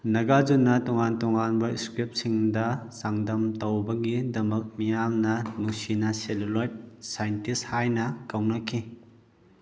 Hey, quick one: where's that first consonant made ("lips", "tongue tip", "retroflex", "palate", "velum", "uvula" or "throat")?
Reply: tongue tip